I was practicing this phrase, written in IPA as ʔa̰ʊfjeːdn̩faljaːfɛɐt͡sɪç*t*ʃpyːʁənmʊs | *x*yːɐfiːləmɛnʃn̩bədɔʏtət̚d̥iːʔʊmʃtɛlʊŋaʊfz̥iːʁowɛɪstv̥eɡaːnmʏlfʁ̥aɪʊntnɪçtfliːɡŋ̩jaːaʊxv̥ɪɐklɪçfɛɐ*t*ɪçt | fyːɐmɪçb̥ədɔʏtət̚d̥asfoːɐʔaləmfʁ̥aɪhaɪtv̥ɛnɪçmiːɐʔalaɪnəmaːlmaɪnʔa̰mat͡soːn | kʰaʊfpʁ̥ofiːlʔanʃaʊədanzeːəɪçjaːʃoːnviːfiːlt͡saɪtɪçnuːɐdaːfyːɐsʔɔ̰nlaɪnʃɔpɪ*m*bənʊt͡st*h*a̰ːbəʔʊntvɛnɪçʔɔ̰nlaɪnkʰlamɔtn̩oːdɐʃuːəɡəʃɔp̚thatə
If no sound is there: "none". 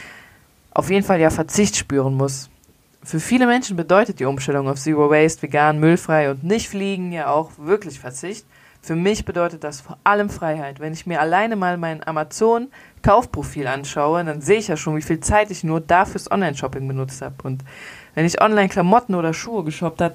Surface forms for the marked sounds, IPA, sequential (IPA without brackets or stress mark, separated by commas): t, f, t͡s, ŋ, h